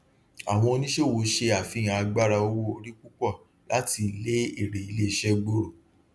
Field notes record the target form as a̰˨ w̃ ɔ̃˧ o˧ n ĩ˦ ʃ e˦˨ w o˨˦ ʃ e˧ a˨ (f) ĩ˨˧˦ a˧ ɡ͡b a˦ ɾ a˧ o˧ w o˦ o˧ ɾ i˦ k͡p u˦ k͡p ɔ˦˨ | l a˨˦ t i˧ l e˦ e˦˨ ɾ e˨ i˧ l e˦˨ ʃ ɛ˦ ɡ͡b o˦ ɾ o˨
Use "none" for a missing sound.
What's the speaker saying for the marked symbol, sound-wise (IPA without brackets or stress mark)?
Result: f